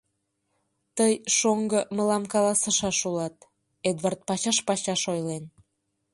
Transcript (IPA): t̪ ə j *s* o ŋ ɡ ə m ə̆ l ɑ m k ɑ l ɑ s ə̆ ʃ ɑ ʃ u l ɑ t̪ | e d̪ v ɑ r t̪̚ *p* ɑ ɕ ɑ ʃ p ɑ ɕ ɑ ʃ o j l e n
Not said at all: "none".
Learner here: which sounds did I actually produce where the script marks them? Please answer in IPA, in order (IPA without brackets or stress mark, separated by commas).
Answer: ʃ, p